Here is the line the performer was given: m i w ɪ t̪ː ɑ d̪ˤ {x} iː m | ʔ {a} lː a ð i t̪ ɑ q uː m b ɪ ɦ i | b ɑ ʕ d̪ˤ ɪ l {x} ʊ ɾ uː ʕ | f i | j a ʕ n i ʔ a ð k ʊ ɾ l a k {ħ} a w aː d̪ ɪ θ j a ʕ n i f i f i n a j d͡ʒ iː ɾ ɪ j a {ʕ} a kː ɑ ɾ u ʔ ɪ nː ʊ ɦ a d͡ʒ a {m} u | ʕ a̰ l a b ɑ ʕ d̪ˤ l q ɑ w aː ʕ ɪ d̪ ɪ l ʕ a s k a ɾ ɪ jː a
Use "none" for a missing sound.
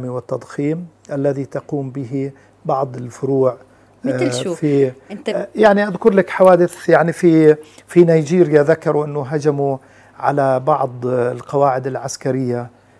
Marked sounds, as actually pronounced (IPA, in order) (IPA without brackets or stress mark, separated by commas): x, a, f, ħ, ð, m